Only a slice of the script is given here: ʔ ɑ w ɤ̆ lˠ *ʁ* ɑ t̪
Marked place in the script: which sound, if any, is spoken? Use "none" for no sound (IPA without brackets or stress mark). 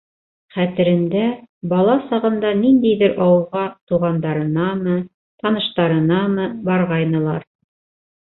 ʁ